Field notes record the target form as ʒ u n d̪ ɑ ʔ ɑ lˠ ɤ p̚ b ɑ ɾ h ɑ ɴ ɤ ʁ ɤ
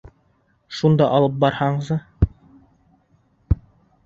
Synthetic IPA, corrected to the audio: ʃ u n d̪ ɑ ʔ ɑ lˠ ɤ p̚ b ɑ ɾ h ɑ ɴ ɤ z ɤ